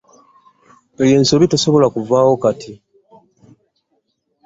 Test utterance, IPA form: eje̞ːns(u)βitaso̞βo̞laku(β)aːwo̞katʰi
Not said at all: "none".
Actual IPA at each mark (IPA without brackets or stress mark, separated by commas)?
o, v